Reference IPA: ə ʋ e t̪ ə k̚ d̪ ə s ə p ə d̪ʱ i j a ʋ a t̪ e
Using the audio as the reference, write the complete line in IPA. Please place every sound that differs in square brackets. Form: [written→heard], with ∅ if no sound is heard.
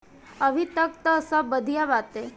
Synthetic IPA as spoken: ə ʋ [e→i] t̪ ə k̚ [d̪→t̪] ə s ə [p→b] ə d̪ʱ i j a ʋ a t̪ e